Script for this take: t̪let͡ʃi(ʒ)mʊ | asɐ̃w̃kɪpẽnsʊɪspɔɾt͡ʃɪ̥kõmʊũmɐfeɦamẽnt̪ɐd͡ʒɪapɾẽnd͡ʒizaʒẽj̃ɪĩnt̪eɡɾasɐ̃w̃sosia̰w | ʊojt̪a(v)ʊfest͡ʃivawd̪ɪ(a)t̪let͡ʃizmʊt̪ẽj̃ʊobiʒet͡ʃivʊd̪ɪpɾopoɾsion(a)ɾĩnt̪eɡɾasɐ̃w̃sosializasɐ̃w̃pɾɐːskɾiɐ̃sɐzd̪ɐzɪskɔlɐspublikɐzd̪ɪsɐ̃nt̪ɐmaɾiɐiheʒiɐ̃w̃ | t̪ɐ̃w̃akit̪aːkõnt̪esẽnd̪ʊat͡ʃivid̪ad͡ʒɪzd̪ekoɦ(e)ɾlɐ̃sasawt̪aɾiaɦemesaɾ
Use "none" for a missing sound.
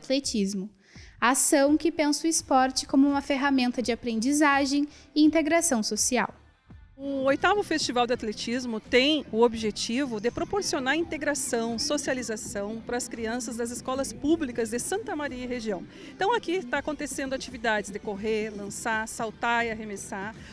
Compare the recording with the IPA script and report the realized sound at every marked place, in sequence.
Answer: z, v, a, a, e

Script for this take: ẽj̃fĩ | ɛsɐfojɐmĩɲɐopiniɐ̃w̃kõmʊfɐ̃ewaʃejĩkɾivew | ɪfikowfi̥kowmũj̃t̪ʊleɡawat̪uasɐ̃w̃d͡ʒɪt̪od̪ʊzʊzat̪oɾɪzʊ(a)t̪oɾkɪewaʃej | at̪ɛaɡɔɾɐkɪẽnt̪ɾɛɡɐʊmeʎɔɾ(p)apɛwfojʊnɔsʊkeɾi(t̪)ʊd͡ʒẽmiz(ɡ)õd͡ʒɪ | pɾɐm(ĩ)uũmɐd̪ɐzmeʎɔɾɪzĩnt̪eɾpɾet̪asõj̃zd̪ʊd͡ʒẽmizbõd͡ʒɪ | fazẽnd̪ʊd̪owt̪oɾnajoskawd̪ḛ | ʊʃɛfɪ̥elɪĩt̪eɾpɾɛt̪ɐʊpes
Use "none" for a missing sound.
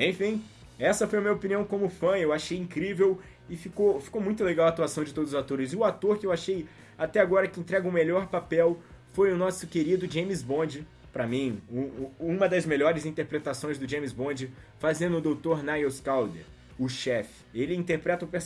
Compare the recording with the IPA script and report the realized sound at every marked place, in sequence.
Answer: a, p, d̪, b, ĩ

